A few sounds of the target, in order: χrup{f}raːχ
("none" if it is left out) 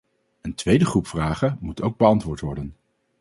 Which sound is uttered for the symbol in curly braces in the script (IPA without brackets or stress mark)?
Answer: f